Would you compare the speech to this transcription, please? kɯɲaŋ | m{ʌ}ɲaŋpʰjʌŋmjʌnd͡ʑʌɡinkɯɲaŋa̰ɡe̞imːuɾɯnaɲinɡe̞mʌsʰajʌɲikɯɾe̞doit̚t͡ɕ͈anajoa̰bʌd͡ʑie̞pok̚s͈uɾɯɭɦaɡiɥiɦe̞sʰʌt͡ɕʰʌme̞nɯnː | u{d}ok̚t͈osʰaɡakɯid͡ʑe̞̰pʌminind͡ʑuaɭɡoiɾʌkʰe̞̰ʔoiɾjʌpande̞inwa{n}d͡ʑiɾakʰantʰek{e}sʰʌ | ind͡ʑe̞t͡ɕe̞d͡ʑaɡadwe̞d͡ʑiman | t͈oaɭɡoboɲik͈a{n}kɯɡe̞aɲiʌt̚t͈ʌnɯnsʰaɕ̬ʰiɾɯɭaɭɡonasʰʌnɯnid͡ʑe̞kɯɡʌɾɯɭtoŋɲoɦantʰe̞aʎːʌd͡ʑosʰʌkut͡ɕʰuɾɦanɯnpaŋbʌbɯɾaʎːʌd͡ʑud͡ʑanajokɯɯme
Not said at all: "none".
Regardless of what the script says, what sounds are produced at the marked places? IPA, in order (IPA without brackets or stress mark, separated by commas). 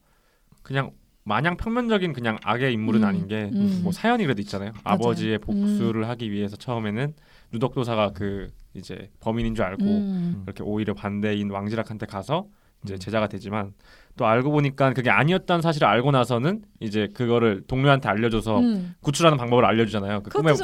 a, d, ŋ, a, n